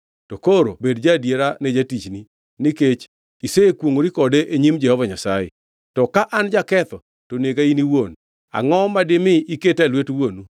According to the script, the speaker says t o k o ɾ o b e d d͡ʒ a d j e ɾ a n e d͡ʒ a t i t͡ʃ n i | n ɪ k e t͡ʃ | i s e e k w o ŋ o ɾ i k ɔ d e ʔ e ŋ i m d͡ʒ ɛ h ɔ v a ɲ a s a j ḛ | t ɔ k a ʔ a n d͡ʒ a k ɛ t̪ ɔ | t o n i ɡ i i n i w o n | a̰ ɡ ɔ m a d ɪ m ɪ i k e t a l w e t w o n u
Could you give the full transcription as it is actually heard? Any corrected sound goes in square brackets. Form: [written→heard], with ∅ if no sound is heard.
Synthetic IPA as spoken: t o k o ɾ o b e d d͡ʒ a d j e ɾ a n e d͡ʒ a t i t͡ʃ n i | n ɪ k e t͡ʃ | i s e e k w o ŋ o ɾ i k ɔ d e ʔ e [ŋ→ɲ] i m d͡ʒ ɛ h ɔ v a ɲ a s a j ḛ | t ɔ k a ʔ a n d͡ʒ a k ɛ t̪ ɔ | t o n [i→e] ɡ [i→a] i n i w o n | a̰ [ɡ→ŋ] ɔ m a d ɪ m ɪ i k e t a l w e t w o n u